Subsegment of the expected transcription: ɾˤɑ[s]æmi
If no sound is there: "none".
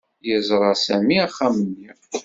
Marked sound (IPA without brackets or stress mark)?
s